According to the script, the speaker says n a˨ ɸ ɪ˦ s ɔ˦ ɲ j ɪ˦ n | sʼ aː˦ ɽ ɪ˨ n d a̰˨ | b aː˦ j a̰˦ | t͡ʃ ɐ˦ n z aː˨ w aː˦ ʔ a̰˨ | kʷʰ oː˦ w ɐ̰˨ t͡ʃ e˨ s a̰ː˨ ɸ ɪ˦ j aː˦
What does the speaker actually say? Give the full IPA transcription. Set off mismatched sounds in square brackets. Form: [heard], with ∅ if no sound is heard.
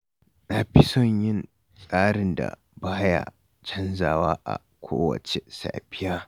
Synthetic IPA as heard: n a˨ ɸ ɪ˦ s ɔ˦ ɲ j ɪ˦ n | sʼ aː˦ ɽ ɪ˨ n d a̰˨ | b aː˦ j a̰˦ | t͡ʃ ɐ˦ n z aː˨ w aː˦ ʔ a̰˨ | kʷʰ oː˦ w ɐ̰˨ t͡ʃ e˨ s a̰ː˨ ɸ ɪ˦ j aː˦

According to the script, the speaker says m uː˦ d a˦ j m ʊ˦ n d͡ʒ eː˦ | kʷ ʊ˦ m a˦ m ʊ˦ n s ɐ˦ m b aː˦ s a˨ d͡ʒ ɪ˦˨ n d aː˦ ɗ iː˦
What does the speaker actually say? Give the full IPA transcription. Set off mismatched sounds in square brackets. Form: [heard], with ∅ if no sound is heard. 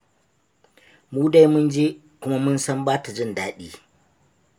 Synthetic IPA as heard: m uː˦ d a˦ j m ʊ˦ n d͡ʒ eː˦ | kʷ ʊ˦ m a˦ m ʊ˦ n s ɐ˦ m b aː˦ [t] a˨ d͡ʒ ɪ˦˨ n d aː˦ ɗ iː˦

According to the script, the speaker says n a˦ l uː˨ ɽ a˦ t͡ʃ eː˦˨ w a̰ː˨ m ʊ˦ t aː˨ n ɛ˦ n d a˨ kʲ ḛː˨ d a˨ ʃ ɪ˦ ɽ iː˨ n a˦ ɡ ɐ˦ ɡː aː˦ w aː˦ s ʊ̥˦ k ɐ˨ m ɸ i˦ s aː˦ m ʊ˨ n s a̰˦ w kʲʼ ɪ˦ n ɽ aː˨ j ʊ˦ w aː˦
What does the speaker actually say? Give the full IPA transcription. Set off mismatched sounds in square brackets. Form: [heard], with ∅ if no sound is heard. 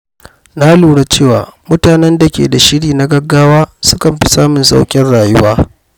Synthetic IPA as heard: n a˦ l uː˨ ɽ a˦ t͡ʃ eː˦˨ w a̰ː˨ m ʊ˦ t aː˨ n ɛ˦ n d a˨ kʲ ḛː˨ d a˨ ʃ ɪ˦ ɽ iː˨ n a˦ ɡ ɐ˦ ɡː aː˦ w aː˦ s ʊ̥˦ k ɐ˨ m ɸ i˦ s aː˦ m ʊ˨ n s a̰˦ w kʲʼ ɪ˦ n ɽ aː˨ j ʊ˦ w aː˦

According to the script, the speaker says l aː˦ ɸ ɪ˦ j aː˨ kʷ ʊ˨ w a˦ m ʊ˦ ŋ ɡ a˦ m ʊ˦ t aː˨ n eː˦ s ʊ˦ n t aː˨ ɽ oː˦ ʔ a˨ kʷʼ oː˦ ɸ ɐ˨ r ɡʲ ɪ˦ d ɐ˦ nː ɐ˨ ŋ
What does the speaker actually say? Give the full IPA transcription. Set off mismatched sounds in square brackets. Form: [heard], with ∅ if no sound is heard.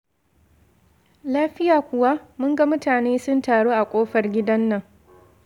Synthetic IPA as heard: l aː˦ ɸ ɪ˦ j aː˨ kʷ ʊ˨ w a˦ m ʊ˦ ŋ ɡ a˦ m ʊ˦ t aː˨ n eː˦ s ʊ˦ n t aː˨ ɽ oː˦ ʔ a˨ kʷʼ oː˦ ɸ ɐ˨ r ɡʲ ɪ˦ d ɐ˦ nː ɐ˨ ŋ

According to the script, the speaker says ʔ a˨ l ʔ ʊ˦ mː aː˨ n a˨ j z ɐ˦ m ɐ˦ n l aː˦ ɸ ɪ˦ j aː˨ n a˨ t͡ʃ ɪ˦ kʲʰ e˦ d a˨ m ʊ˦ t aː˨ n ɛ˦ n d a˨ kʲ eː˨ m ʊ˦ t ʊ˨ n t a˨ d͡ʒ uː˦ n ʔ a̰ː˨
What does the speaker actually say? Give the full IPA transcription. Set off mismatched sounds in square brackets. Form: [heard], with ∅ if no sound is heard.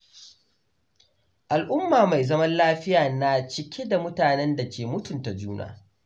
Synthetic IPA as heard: ʔ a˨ l ʔ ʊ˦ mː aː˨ [m] a˨ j z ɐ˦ m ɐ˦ n l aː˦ ɸ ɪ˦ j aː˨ n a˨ t͡ʃ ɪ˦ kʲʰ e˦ d a˨ m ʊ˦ t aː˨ n ɛ˦ n d a˨ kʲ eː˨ m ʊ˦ t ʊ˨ n t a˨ d͡ʒ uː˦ n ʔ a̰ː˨

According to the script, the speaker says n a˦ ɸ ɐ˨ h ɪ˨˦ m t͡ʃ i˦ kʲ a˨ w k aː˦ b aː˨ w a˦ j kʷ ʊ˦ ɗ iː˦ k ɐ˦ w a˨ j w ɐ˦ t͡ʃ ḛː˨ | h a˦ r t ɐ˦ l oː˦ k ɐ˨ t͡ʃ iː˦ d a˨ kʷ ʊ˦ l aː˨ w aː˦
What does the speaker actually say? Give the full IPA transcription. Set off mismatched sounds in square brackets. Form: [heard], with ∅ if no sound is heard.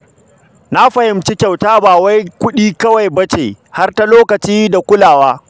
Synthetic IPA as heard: n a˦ ɸ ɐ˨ h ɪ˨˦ m t͡ʃ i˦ kʲ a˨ w [t] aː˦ b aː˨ w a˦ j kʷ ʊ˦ ɗ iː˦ k ɐ˦ w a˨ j [b] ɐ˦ t͡ʃ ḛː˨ | h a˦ r t [a˦] l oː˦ k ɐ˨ t͡ʃ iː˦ d a˨ kʷ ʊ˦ l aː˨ w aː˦

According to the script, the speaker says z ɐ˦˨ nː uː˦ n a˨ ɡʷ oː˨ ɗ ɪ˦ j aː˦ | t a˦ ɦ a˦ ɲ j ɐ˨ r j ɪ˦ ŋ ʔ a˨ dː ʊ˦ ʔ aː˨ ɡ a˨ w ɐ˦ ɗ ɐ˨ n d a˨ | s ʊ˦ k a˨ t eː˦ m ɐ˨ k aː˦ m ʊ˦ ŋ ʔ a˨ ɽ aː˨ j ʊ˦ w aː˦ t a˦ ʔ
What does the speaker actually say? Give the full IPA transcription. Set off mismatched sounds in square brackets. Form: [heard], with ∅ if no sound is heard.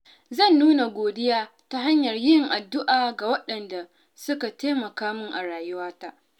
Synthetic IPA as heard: z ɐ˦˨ nː uː˦ n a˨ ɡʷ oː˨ [d] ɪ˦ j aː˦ | t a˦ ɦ a˦ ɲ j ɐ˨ r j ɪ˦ ŋ ʔ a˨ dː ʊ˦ ʔ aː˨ ɡ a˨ w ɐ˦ ɗ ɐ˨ n d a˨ | s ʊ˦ k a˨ t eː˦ m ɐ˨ k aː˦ m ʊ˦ ŋ ʔ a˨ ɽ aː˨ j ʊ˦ w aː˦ t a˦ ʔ

